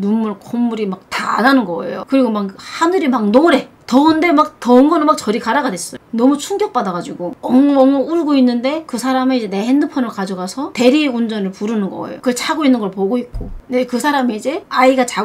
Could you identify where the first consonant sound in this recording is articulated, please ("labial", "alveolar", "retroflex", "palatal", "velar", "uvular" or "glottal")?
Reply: alveolar